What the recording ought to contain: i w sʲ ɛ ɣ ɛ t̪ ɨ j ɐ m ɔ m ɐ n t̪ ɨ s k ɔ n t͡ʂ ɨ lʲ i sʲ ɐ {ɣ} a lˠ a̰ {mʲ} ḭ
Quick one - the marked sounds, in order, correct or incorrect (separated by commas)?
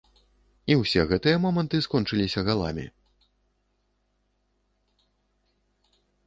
correct, correct